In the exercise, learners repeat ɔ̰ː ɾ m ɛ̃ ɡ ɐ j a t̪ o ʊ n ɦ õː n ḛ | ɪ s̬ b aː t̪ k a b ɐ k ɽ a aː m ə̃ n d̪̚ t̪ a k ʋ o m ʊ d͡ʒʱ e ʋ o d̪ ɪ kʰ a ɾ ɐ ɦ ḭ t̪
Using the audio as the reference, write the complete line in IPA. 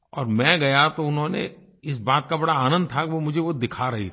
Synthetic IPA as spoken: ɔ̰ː ɾ m ɛ̃ ɡ ɐ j a t̪ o ʊ n ɦ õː n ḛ | ɪ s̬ b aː t̪ k a b ɐ ɽ a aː n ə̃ n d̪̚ t̪ʰ a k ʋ o m ʊ d͡ʒʱ e ʋ o d̪ ɪ kʰ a ɾ ɐ ɦ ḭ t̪